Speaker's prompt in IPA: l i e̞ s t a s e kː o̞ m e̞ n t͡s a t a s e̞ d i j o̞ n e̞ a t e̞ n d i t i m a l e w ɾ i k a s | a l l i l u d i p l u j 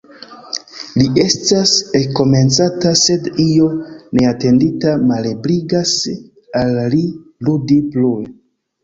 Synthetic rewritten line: l i e̞ s t a s e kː o̞ m e̞ n t͡s a t a s e̞ d i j o̞ n e̞ a t e̞ n d i t a m a l e b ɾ i ɡ a s | a l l i l u d i p l u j